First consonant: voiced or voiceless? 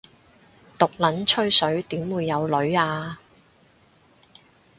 voiceless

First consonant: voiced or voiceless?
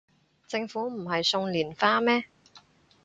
voiceless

